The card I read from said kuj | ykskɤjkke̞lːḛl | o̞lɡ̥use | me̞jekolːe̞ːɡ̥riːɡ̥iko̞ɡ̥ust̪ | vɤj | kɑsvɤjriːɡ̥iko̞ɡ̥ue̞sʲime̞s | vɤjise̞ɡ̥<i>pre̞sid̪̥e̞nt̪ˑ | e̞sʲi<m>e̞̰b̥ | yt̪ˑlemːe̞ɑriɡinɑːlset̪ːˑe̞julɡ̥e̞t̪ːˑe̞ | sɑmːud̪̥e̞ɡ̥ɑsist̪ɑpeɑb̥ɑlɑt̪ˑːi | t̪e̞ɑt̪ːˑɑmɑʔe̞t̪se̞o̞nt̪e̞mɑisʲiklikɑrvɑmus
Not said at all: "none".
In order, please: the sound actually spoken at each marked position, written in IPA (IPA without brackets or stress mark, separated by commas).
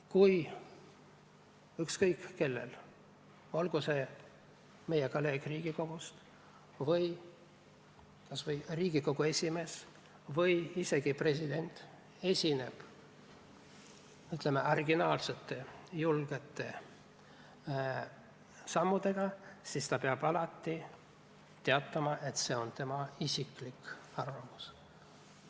i, n